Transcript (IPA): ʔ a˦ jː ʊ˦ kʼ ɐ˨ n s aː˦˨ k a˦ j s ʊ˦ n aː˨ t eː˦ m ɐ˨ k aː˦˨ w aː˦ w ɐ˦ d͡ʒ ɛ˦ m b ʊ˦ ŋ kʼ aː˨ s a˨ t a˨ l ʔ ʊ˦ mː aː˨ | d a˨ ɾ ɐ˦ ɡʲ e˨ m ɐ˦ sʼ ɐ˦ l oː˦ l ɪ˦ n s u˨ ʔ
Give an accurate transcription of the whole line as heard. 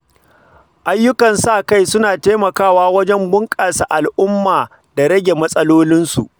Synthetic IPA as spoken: ʔ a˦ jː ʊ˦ k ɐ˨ n s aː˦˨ k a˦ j s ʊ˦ n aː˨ t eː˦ m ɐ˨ k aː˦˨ w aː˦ w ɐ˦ d͡ʒ ɛ˦ m b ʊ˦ ŋ kʼ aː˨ s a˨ ʔ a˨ l ʔ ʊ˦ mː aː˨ | d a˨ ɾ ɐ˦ ɡʲ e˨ m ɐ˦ sʼ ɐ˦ l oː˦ l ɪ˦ n s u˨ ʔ